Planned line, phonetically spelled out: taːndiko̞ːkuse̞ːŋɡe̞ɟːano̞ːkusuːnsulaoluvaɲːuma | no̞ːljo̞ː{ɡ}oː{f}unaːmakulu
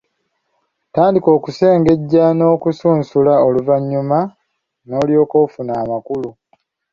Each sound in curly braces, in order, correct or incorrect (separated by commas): incorrect, correct